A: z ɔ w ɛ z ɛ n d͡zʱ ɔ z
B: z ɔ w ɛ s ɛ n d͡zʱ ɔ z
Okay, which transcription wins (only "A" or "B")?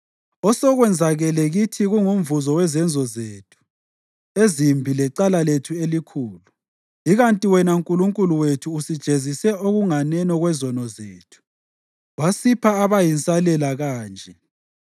A